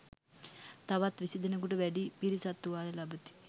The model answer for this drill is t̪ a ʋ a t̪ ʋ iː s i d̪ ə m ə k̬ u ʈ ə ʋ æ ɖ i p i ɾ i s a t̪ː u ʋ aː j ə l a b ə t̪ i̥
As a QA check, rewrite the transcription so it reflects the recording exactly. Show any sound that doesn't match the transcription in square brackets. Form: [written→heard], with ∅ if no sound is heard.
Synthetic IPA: t̪ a ʋ a t̪ ʋ [iː→i] s i d̪ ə [m→n] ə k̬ u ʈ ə ʋ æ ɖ i p i ɾ i s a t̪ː u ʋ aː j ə l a b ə t̪ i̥